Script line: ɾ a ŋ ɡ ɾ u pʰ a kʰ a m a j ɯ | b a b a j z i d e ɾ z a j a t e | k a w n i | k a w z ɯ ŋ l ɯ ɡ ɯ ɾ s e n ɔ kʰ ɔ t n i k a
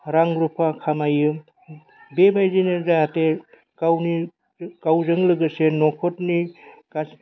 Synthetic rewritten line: ɾ a ŋ ɡ ɾ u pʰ a kʰ a m a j ɯ | b e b a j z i n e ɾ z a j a t e | k a w n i | k a w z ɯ ŋ l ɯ ɡ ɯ s e n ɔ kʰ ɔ t n i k a